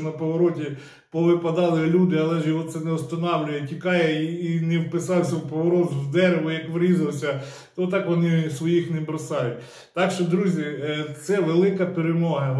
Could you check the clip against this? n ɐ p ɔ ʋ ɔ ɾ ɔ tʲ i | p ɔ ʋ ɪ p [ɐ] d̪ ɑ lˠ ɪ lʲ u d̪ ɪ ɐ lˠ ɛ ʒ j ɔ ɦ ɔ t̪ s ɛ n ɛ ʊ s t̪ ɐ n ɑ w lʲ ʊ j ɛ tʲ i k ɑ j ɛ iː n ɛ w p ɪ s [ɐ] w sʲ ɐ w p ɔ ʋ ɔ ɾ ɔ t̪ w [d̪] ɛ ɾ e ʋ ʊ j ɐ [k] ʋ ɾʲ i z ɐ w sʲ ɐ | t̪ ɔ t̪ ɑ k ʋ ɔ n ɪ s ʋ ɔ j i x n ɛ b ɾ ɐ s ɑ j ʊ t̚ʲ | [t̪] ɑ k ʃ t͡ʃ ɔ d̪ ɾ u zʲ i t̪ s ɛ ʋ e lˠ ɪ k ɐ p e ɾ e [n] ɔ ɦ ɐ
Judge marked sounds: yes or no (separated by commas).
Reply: yes, no, yes, yes, yes, no